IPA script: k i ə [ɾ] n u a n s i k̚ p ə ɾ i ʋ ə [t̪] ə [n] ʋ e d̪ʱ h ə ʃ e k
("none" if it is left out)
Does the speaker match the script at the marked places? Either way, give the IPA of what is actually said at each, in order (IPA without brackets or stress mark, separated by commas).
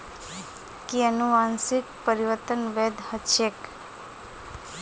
none, t̪, n